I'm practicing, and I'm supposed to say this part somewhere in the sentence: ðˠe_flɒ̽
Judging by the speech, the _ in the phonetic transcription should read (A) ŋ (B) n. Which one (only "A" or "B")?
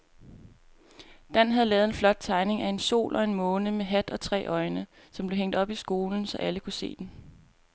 B